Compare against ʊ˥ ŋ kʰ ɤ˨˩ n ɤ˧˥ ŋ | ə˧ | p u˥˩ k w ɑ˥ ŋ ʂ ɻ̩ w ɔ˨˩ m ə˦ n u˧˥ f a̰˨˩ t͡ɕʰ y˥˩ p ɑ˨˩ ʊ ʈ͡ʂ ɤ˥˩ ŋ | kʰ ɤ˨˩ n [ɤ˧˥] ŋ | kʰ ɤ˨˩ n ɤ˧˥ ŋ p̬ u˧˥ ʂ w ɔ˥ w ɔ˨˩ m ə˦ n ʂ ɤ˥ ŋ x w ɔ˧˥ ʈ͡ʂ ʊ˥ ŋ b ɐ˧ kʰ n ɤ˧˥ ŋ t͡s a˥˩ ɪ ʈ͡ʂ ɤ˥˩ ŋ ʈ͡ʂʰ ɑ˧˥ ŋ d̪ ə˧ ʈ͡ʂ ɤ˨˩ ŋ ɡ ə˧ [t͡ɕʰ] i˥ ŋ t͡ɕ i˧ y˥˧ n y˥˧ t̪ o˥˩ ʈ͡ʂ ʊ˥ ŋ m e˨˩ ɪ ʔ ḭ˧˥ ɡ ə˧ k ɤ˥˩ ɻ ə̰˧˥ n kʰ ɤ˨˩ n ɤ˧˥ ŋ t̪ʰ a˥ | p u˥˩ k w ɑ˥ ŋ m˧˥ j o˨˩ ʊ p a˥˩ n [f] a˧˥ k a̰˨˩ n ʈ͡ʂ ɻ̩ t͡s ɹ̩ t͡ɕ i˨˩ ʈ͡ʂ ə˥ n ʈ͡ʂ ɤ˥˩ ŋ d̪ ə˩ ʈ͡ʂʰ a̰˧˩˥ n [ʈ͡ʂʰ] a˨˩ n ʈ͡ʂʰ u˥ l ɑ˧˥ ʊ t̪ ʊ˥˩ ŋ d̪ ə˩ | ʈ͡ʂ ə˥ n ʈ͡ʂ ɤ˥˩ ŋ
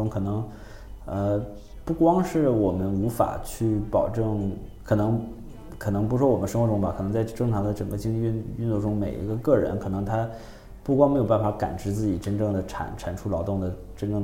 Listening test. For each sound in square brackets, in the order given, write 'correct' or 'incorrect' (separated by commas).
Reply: correct, incorrect, correct, correct